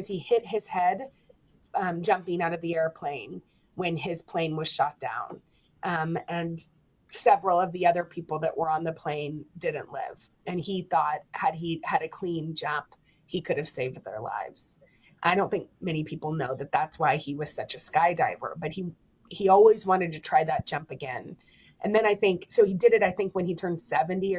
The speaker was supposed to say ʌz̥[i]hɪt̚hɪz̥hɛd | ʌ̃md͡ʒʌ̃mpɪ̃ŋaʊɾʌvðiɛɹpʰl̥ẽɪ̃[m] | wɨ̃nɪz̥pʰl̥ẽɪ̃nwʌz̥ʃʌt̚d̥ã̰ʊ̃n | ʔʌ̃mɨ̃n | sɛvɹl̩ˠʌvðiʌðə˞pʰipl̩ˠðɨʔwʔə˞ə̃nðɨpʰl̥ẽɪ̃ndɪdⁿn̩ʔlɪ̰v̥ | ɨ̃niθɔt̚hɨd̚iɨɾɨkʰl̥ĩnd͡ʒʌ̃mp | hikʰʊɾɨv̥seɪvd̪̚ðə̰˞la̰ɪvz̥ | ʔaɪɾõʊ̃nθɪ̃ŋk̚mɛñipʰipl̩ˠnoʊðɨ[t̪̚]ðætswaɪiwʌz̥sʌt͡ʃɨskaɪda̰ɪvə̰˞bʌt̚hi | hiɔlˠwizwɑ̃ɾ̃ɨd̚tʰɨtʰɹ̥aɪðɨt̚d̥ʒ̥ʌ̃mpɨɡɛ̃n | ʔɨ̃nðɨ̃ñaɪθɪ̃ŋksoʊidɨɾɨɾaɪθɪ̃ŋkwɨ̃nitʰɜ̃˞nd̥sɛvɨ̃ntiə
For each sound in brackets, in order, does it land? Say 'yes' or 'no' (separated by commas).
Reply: yes, no, yes